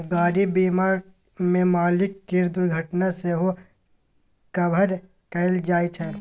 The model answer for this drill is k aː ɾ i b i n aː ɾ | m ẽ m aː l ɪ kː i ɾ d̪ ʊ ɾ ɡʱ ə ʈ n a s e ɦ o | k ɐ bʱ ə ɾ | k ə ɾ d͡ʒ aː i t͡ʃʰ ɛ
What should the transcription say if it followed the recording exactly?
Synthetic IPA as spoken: ɡ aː ɾ i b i m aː ɾ | m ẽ m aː l ɪ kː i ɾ d̪ ʊ ɾ ɡʱ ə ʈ n a s e ɦ o | k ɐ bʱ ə ɾ | k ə l d͡ʒ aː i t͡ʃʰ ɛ

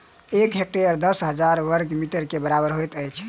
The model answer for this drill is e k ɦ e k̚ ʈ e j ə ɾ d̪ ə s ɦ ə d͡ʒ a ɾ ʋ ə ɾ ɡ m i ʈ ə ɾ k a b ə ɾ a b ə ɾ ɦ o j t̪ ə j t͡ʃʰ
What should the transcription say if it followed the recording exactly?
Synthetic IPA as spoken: e k ɦ e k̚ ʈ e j ə ɾ d̪ ə s ɦ ə d͡ʒ a ɾ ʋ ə ɾ ɡ m i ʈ ə ɾ k e b ə ɾ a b ə ɾ ɦ o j t̪ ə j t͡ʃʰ

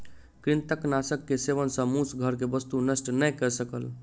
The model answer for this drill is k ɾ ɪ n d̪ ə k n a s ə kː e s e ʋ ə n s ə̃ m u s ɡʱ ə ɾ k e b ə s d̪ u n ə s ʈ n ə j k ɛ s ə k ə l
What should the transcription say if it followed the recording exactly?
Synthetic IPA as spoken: k ɾ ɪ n t̪ ə k n a s ə kː e s e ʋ ə n s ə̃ m u s ɡʱ ə ɾ k e b ə s t̪ u n ə s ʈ n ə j k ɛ s ə k ə l

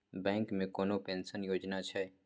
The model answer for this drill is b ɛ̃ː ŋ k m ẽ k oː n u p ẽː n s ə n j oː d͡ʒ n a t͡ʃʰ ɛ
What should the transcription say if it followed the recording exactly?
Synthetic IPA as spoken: b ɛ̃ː ŋ k m ẽ k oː n o p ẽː n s ə n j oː d͡ʒ n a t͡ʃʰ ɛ

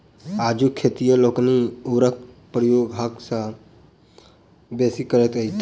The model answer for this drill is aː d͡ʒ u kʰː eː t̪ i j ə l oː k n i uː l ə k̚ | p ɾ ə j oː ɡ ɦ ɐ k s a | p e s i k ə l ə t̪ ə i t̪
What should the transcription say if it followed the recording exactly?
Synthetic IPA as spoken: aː d͡ʒ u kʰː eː t̪ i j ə l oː k n i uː ɾ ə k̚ | p ɾ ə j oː ɡ ɦ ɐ k s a | b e s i k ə ɾ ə t̪ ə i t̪

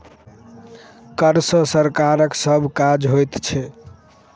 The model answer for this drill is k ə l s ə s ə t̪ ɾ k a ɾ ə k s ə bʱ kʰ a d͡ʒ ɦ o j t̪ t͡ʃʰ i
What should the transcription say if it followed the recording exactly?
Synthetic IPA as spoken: k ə ɾ s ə s ə ɾ k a ɾ ə k s ə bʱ k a d͡ʒ ɦ o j t̪ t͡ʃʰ ɛ

